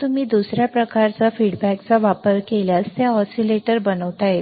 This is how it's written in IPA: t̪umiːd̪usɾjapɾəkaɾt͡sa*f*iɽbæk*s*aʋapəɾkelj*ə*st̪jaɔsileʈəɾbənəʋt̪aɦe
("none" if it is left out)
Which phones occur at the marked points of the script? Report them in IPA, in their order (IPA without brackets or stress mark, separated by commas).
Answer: f, t͡s, a